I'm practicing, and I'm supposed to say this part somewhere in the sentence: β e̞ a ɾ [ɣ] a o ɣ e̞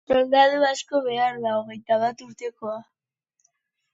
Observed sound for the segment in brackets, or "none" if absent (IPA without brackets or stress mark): ð